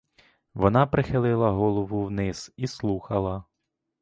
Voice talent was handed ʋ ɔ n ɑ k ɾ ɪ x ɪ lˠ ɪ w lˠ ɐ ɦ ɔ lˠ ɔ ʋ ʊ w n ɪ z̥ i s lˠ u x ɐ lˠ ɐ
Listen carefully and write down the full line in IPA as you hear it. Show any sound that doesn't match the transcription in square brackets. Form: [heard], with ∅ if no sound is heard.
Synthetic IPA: ʋ ɔ n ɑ [p] ɾ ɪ x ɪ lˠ ɪ [∅] lˠ ɐ ɦ ɔ lˠ ɔ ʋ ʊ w n ɪ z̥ i s lˠ u x ɐ lˠ ɐ